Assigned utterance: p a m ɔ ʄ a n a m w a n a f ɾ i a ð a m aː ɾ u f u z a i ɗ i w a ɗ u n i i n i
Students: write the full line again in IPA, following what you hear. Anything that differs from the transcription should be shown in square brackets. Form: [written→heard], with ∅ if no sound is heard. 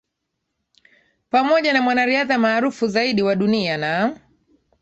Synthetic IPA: p a m ɔ ʄ a n a m w a n a [f→∅] ɾ i a ð a m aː ɾ u f u z a i ɗ i w a ɗ u n i [i→a] n [i→a]

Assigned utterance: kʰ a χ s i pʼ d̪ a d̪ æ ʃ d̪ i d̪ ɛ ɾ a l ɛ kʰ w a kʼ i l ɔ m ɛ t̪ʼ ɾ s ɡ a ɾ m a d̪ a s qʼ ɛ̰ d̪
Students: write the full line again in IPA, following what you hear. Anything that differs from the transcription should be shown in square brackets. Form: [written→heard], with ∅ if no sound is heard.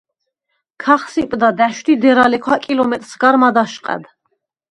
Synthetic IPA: kʰ a χ s i pʼ d̪ a d̪ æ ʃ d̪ i d̪ ɛ ɾ a l ɛ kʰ w a kʼ i l ɔ m ɛ t̪ʼ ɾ s ɡ a ɾ m a d̪ a [s→ʃ] qʼ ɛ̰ d̪

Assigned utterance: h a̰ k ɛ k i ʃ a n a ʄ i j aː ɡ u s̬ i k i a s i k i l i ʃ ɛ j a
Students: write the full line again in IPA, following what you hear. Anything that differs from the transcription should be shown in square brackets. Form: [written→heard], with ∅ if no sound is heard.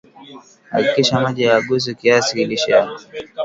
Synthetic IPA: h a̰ k [ɛ→i] k i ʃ a [n→m] a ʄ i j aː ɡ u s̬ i k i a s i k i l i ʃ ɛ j a

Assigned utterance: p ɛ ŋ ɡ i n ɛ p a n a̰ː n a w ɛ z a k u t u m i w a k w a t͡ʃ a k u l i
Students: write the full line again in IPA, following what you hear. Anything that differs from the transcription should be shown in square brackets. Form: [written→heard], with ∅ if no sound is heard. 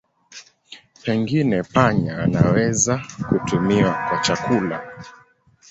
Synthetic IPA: p ɛ ŋ ɡ i n ɛ p a [n→ɲ] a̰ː n a w ɛ z a k u t u m i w a k w a t͡ʃ a k u l [i→a]

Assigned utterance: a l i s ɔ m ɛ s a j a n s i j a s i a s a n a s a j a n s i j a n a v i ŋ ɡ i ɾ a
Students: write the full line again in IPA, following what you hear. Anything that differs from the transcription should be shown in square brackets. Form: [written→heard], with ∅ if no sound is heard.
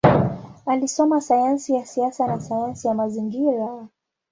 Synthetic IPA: a l i s ɔ m [ɛ→a] s a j a n s i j a s i a s a n a s a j a n s i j a [n→m] a [v→z] i ŋ ɡ i ɾ a

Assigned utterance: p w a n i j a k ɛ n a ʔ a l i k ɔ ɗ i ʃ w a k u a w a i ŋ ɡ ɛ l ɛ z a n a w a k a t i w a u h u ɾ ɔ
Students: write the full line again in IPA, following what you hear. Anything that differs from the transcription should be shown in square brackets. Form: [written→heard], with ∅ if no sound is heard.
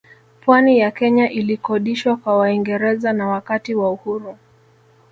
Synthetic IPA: p w a n i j a k ɛ [n→ɲ] a ʔ [a→i] l i k ɔ ɗ i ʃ w a k [u→w] a w a i ŋ ɡ ɛ [l→ɾ] ɛ z a n a w a k a t i w a u h u ɾ [ɔ→u]

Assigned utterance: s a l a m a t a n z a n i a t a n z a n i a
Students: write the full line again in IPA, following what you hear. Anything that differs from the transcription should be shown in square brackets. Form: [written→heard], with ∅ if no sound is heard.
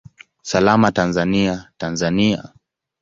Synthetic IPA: s a l a m a t a n z a n i a t a n z a n i a

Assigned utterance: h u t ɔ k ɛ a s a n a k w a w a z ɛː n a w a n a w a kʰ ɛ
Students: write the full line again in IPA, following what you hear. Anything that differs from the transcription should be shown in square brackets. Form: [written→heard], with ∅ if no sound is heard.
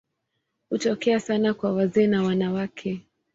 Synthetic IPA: h u t ɔ k ɛ a s a n a k w a w a z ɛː n a w a n a w a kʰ ɛ

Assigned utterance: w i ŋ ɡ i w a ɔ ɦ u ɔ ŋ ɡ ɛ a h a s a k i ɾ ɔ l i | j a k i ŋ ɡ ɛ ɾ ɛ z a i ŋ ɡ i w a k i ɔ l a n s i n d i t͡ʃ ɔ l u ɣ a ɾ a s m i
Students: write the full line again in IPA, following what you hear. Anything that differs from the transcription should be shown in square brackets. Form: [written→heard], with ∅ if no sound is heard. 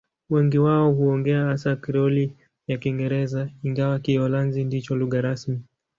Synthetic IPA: w [i→ɛ] ŋ ɡ i w a ɔ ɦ u ɔ ŋ ɡ ɛ a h a s a k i ɾ ɔ l i | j a k i ŋ ɡ ɛ ɾ ɛ z a i ŋ ɡ [i→a] w a k i ɔ l a n [s→z] i n d i t͡ʃ ɔ l u ɣ a ɾ a s m i

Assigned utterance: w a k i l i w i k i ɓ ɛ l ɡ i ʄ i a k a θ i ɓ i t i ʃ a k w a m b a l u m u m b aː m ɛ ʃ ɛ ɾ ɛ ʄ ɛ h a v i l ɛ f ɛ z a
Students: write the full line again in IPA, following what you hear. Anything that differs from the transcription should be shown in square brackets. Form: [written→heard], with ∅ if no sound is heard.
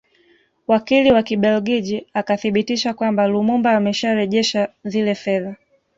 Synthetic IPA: w a k i l i w [i→a] k i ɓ ɛ l ɡ i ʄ i a k a θ i ɓ i t i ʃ a k w a m b a l u m u m b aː m ɛ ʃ [ɛ→a] ɾ ɛ ʄ ɛ [h→ʃ] a [v→z] i l ɛ f ɛ [z→ð] a

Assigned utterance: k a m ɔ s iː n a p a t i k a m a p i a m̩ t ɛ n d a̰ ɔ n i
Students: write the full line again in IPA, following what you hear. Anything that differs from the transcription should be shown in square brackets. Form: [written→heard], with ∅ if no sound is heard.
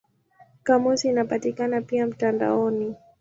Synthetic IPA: k a m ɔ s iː n a p a t i k a [m→n] a p i a m̩ t [ɛ→a] n d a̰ ɔ n i

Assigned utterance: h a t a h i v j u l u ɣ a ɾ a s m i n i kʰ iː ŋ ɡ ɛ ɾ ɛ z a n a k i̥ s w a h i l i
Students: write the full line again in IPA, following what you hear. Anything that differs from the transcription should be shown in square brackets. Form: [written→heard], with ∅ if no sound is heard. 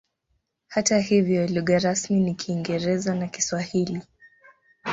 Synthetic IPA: h a t a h i v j [u→ɔ] l u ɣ a ɾ a s m i n i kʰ iː ŋ ɡ ɛ ɾ ɛ z a n a k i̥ s w a h i l i

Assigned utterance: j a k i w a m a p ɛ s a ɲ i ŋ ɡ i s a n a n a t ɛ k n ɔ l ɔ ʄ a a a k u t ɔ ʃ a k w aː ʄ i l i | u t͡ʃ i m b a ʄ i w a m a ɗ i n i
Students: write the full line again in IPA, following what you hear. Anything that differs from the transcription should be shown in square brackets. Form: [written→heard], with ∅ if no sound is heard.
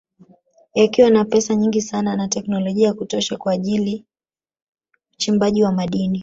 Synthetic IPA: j a k i w a [m→n] a p ɛ s a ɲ i ŋ ɡ i s a n a n a t ɛ k n ɔ l ɔ ʄ [a→i] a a k u t ɔ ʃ a k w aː ʄ i l i | u t͡ʃ i m b a ʄ i w a m a ɗ i n i

